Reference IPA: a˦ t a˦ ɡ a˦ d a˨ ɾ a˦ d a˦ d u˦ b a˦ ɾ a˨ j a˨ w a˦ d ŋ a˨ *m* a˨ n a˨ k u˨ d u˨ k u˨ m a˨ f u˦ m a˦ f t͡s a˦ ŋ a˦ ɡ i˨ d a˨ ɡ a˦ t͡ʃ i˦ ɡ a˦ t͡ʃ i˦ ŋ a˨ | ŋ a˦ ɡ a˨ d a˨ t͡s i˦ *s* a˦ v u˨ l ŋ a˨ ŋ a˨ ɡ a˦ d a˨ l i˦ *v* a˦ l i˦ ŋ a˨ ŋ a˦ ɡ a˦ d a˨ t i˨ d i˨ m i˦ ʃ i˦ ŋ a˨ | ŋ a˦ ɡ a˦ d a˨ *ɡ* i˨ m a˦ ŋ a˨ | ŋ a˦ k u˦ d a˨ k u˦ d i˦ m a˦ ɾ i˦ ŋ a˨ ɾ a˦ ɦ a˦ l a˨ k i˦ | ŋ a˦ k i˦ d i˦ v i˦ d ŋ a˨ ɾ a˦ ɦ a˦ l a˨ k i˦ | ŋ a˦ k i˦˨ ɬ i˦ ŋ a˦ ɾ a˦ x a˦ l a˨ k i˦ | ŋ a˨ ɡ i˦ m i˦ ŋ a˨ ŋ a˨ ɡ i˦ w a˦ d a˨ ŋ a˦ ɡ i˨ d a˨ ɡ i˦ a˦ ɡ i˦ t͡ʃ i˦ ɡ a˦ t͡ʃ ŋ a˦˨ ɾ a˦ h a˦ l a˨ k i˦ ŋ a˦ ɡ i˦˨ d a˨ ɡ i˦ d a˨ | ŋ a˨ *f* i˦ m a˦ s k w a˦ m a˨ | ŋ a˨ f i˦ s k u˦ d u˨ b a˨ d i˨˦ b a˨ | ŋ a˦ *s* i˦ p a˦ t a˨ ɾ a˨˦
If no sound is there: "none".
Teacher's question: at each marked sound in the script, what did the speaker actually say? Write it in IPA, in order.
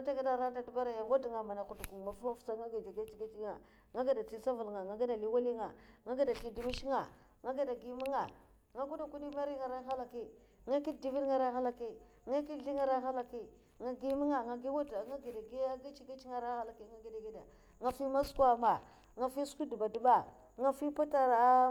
m, s, w, ɡ, f, f

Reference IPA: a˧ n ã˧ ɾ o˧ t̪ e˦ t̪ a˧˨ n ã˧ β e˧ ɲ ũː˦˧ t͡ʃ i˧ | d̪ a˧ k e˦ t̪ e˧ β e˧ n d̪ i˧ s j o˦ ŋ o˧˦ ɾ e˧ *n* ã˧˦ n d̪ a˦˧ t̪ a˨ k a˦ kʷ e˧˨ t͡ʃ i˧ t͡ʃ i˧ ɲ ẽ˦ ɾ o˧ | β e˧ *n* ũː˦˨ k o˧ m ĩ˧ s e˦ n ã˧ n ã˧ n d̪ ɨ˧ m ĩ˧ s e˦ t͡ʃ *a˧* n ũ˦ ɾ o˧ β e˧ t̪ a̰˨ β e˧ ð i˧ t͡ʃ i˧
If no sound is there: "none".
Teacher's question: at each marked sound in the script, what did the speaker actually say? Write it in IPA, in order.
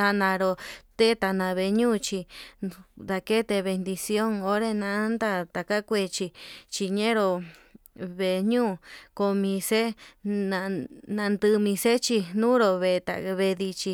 n, ɲ, i˧

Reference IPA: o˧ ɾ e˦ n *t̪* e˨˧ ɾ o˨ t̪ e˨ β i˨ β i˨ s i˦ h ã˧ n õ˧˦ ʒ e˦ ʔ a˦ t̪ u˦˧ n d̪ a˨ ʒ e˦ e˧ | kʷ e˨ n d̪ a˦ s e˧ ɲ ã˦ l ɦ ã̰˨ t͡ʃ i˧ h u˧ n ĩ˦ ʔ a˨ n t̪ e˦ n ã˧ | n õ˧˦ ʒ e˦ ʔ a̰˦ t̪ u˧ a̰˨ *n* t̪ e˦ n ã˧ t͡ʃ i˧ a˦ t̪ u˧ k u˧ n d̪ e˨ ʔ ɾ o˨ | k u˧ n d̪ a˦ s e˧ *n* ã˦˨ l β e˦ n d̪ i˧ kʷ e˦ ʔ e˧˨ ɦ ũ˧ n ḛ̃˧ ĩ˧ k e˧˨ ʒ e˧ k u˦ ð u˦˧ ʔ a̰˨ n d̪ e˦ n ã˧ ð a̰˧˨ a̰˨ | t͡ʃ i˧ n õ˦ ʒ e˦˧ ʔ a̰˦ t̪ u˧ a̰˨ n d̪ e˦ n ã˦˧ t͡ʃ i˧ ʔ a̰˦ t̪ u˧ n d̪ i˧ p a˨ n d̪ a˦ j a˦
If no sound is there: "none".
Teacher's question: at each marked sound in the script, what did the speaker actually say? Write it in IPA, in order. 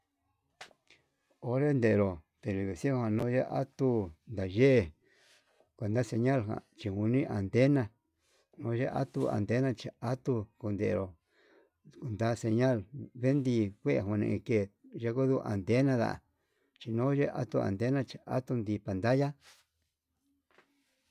d̪, n, ɲ

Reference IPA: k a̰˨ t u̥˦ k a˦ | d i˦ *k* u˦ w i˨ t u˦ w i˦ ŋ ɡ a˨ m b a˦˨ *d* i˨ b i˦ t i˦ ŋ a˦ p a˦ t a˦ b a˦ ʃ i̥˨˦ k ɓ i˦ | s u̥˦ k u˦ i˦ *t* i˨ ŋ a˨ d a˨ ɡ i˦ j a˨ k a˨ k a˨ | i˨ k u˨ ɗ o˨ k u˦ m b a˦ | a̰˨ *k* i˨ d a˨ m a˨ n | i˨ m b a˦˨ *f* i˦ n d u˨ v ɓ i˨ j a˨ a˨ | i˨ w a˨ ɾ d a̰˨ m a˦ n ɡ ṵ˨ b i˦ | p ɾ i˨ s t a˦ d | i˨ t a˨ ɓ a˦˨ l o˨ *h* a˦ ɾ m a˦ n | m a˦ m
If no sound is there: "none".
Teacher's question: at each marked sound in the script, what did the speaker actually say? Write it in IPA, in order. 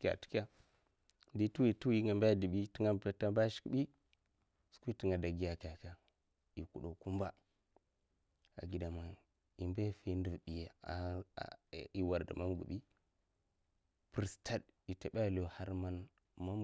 t, d, t, ɡ, f, h

